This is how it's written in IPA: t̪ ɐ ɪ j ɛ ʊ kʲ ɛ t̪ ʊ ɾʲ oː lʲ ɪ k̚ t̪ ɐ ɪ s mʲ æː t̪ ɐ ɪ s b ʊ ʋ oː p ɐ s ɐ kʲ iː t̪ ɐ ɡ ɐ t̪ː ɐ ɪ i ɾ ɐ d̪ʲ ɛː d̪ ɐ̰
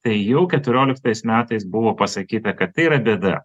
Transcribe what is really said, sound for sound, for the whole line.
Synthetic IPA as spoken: t̪ ɐ ɪ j ɛ ʊ kʲ ɛ t̪ ʊ ɾʲ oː lʲ ɪ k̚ t̪ ɐ ɪ s mʲ æː t̪ ɐ ɪ s b ʊ ʋ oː p ɐ s ɐ kʲ iː t̪ ɐ k ɐ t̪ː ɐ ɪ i ɾ ɐ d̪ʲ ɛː d̪ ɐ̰

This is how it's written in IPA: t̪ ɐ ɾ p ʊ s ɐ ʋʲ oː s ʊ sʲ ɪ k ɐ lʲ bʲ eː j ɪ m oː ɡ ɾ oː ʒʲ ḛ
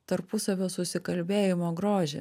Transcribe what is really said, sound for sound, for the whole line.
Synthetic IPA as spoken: t̪ ɐ ɾ p ʊ s ɐ ʋʲ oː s ʊ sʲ ɪ k ɐ lʲ bʲ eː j ɪ m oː ɡ ɾ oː ʒʲ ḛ

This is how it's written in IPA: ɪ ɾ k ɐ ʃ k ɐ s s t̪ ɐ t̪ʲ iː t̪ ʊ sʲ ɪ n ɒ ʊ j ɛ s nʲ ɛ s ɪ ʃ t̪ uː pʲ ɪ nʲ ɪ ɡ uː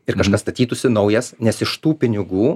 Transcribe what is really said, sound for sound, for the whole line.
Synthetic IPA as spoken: ɪ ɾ k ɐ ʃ k ɐ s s t̪ ɐ t̪ʲ iː t̪ ʊ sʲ ɪ n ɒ ʊ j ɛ s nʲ ɛ s ɪ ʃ t̪ uː pʲ ɪ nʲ ɪ ɡ uː

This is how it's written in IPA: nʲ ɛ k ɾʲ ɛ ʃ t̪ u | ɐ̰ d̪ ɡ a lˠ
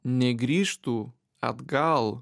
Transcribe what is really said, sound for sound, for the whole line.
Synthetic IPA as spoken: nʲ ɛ ɡ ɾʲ i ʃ t̪ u | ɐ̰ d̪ ɡ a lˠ

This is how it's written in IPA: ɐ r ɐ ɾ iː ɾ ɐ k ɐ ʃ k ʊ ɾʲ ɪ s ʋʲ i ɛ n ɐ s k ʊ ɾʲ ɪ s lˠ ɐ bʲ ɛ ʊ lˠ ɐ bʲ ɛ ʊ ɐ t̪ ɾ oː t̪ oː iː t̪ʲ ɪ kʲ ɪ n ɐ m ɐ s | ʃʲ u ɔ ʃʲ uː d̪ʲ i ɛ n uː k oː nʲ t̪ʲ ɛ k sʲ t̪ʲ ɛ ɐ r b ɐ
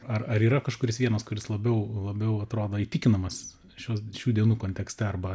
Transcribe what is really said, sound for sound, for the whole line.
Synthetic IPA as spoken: ɐ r ɐ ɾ iː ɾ ɐ k ɐ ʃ k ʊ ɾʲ ɪ s ʋʲ i ɛ n ɐ s k ʊ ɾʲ ɪ s lˠ ɐ bʲ ɛ ʊ lˠ ɐ bʲ ɛ ʊ ɐ t̪ ɾ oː d̪ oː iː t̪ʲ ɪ kʲ ɪ n ɐ m ɐ s | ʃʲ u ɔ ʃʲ uː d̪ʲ i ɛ n uː k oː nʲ t̪ʲ ɛ k sʲ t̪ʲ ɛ ɐ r b ɐ

